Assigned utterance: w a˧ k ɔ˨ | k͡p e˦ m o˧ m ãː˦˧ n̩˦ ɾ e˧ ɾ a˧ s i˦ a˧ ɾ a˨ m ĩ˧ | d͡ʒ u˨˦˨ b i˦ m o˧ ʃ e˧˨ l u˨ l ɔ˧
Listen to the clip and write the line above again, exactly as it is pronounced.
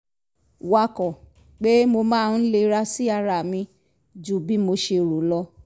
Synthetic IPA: w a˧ k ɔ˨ | k͡p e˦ m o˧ m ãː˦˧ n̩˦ l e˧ ɾ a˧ s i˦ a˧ ɾ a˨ m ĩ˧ | d͡ʒ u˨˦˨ b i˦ m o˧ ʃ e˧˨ ɾ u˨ l ɔ˧

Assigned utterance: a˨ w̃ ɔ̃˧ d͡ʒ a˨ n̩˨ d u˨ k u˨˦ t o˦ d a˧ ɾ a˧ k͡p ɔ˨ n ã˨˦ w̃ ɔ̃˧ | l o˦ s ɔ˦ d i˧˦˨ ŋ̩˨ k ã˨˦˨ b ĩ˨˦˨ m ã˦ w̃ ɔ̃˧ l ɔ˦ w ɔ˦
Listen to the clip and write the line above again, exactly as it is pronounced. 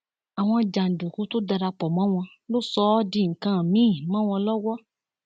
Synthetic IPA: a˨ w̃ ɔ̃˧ d͡ʒ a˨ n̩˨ d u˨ k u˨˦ t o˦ d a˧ ɾ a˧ k͡p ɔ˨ m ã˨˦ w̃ ɔ̃˧ | l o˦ s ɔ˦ d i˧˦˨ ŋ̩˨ k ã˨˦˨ m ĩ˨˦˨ m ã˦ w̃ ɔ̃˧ l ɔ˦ w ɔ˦

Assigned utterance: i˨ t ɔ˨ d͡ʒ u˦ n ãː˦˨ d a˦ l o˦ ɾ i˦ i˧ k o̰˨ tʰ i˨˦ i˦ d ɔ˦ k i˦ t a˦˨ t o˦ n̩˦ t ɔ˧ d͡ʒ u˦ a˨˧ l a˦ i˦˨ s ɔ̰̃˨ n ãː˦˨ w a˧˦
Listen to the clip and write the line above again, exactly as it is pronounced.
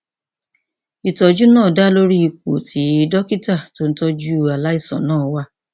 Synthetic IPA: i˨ t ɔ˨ d͡ʒ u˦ n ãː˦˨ d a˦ l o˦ ɾ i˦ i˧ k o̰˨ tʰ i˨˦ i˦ d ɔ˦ k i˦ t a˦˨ t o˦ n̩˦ t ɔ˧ d͡ʒ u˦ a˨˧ l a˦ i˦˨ s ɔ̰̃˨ n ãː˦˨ w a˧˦

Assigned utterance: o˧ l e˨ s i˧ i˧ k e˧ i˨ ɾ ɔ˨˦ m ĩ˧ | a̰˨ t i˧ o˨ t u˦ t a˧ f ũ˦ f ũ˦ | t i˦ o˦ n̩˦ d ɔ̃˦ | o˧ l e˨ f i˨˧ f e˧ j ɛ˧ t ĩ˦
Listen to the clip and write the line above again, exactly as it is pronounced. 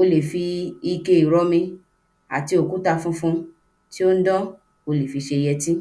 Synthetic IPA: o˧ l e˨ f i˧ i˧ k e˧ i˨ ɾ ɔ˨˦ m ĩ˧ | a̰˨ t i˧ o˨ k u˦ t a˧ f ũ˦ f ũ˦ | t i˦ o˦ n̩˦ d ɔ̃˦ | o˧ l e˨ f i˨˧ ʃ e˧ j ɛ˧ t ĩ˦

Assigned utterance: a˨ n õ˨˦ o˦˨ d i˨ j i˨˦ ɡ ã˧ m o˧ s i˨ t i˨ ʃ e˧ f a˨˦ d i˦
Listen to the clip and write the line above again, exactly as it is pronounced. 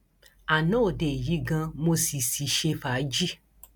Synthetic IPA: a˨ n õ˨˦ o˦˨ d e˨ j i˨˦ ɡ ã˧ m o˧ s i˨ s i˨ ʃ e˧ f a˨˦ d͡ʒ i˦

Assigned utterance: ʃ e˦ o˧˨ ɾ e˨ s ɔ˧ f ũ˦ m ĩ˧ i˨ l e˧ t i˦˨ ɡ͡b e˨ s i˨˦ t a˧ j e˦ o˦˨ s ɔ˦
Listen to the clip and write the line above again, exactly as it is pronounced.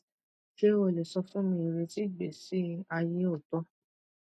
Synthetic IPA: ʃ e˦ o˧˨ l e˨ s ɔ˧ f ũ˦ m ĩ˧ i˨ ɾ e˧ t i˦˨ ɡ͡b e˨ s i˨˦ a˧ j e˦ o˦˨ t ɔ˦

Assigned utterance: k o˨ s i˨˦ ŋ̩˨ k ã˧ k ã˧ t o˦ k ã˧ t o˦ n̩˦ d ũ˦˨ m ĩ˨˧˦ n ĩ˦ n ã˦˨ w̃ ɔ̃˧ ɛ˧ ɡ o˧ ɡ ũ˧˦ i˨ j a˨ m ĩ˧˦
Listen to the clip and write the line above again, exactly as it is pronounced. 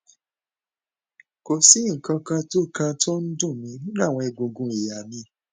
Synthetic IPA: k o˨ s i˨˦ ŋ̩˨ k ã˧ k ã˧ t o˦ k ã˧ t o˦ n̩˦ d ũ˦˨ m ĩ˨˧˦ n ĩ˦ n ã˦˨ w̃ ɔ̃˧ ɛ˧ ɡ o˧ ɡ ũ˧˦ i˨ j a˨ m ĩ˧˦

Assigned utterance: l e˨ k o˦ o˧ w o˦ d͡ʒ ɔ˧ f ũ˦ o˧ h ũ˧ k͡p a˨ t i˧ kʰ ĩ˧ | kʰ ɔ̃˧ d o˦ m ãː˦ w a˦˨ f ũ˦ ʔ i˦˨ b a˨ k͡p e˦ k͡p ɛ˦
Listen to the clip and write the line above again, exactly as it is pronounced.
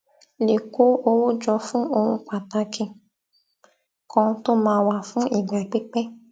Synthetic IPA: l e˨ k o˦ o˧ w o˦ d͡ʒ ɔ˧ f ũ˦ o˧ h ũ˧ k͡p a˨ t a˧ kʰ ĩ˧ | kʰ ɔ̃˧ t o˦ m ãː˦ w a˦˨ f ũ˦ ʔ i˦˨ ɡ͡b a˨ k͡p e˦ k͡p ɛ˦

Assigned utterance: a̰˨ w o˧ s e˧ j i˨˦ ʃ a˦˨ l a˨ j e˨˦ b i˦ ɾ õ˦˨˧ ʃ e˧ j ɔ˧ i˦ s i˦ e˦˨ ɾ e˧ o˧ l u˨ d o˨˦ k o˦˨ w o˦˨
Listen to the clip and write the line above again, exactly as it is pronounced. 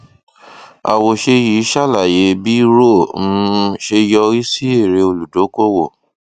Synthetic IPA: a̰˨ w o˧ ʃ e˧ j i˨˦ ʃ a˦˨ l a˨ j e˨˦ b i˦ ɾ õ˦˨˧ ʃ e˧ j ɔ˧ i˦ s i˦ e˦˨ ɾ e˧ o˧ l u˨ d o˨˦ k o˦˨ w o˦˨

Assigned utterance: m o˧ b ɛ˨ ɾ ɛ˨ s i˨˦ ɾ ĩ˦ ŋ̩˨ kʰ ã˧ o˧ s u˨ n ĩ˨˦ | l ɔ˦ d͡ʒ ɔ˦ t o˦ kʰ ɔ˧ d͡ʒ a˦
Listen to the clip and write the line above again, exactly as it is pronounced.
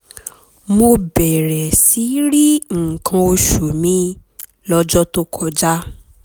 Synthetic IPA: m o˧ b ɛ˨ ɾ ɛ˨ s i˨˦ ɾ i˦ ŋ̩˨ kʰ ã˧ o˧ ʃ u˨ m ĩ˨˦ | l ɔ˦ d͡ʒ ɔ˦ t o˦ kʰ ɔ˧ d͡ʒ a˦

